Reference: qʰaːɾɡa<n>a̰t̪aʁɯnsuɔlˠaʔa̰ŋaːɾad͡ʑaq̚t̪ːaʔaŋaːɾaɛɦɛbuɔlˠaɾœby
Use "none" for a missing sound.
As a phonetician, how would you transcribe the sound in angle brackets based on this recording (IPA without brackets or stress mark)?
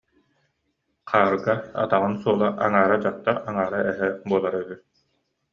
none